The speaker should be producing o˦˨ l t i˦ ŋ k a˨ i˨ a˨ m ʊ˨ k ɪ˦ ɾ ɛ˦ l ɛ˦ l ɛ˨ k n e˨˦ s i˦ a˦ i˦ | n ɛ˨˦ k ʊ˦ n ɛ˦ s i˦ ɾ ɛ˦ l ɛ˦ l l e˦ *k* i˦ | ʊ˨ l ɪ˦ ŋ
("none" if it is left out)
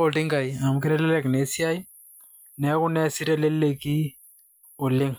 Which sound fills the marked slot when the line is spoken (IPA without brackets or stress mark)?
k